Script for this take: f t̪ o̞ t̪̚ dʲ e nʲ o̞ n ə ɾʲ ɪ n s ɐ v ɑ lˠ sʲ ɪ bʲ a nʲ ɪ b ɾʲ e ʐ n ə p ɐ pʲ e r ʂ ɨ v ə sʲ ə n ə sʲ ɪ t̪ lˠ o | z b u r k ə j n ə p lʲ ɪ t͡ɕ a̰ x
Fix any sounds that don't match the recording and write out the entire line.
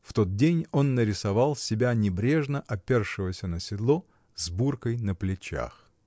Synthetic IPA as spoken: f t̪ o̞ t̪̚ dʲ e nʲ o̞ nː ə ɾʲ ɪ s ɐ v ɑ lˠ sʲ ɪ bʲ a nʲ ɪ b ɾʲ e ʐ n ə ʔ ɐ pʲ e r ʂ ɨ v ə sʲ ə n ə sʲ ɪ d̪ lˠ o | z b u r k ə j n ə p lʲ ɪ t͡ɕ a̰ x